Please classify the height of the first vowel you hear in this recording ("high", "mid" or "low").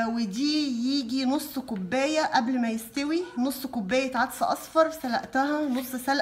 mid